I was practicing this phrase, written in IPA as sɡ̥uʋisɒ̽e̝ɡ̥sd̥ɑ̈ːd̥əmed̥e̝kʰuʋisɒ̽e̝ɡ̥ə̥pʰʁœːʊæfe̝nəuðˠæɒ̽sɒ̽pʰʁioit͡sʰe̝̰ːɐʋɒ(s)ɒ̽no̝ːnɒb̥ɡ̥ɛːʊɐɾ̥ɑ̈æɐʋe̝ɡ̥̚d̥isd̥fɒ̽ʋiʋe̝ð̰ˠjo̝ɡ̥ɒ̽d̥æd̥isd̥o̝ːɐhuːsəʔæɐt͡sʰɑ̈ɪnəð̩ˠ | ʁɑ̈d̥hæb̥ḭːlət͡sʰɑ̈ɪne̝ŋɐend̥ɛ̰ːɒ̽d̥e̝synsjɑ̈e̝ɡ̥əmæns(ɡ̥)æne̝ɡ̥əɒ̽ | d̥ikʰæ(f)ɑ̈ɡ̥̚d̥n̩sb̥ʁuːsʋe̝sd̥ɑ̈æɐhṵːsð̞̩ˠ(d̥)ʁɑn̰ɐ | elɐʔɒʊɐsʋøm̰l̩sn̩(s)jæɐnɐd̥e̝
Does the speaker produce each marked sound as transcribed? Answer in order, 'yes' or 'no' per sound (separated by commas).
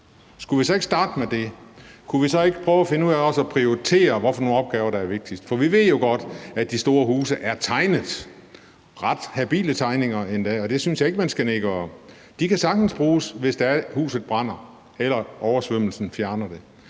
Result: no, yes, no, no, no